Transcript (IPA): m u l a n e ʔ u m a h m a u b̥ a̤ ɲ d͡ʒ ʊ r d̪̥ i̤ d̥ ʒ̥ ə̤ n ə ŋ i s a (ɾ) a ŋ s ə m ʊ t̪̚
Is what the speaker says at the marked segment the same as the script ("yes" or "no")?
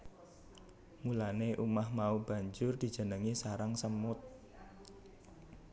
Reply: yes